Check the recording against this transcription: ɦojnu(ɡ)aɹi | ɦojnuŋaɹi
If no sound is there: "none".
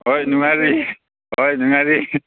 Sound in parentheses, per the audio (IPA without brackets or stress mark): ŋ